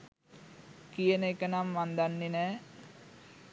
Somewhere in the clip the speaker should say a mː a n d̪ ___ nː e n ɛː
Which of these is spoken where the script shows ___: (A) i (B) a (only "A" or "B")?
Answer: B